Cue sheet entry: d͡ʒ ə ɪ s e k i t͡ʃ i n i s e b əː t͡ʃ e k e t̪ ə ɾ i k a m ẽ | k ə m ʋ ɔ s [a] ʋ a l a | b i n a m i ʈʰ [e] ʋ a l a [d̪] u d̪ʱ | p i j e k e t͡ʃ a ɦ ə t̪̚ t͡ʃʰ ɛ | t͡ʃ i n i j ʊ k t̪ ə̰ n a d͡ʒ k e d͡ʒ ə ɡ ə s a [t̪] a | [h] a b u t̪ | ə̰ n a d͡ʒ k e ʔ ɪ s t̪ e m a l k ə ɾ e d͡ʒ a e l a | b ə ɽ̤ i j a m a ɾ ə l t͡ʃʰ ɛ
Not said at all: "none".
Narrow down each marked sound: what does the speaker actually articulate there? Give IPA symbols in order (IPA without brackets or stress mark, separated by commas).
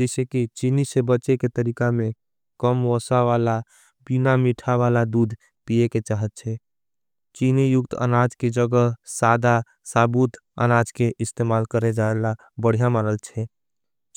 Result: a, a, d̪, d̪, s